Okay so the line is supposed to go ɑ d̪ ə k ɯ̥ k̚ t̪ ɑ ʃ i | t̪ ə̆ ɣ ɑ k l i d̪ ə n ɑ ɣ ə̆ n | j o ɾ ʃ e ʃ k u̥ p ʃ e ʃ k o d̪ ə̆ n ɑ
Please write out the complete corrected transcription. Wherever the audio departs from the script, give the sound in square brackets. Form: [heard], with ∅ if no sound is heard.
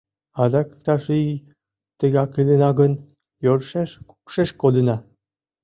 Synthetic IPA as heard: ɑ d̪ [ɑ] k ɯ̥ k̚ t̪ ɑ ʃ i | t̪ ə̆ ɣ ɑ k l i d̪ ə n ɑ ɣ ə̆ n | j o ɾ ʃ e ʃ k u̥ [k] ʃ e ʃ k o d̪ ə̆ n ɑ